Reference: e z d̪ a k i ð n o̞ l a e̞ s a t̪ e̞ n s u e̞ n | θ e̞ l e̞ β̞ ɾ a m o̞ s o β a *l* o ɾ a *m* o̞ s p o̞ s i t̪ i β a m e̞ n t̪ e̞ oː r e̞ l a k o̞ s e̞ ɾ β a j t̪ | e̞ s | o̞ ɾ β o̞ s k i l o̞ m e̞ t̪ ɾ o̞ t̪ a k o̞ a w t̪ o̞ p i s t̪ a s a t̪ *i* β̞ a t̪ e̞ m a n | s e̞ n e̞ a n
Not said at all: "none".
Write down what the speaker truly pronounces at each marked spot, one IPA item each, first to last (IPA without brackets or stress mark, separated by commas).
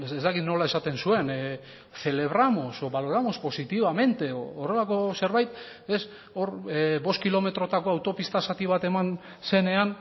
l, m, i